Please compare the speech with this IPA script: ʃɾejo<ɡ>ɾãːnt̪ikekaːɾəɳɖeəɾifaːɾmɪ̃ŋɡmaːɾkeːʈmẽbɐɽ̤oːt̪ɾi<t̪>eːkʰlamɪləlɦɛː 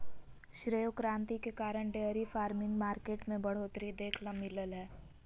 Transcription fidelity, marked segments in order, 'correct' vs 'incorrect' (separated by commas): incorrect, incorrect